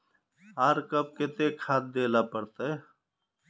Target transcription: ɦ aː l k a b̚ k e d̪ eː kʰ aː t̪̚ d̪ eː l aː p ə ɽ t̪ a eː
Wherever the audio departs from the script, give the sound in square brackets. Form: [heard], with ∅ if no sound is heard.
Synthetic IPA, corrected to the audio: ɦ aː [ɾ] k [ə] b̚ k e [t̪] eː kʰ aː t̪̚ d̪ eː l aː p ə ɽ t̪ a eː